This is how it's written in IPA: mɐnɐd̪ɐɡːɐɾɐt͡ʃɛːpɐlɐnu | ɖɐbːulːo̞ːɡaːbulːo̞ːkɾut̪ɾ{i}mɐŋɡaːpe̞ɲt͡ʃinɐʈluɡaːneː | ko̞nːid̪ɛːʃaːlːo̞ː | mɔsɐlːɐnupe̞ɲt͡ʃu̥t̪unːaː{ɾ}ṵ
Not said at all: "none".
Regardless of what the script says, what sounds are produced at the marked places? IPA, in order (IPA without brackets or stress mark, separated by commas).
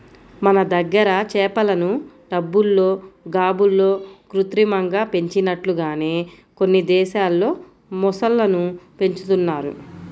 i, ɾ